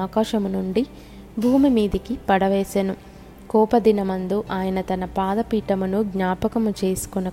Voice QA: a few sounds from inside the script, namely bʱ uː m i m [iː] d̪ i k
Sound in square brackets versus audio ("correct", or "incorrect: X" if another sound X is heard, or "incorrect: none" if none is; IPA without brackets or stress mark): correct